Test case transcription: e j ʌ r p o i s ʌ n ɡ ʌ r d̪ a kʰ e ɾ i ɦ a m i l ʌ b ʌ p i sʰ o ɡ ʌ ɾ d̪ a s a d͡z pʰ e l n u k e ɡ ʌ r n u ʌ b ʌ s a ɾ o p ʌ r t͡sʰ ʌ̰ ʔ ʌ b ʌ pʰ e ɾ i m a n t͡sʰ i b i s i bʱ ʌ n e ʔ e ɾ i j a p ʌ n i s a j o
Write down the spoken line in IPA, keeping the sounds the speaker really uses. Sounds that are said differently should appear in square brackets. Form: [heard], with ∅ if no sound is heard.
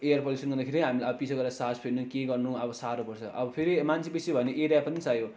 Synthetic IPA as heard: e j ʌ r p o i s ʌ n ɡ ʌ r d̪ a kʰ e ɾ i ɦ a m i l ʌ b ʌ p i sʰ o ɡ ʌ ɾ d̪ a s a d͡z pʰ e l n u k e ɡ ʌ r n u ʌ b ʌ s a ɾ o p ʌ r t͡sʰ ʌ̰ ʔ ʌ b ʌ pʰ e ɾ i m a n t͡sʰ i b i s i bʱ ʌ n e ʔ e ɾ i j a p ʌ n i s a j o